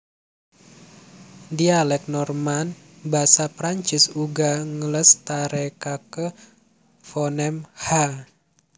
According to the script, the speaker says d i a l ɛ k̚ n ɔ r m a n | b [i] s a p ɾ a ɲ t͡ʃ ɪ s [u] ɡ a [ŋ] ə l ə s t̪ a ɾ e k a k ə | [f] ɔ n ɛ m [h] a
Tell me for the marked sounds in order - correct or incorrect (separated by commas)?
incorrect, correct, correct, correct, correct